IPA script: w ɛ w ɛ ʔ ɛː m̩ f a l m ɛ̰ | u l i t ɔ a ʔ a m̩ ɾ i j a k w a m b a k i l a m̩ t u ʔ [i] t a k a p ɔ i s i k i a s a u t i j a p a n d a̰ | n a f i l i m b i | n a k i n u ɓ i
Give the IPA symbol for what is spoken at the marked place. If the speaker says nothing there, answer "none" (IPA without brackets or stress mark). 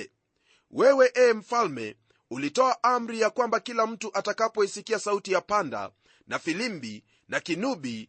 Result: a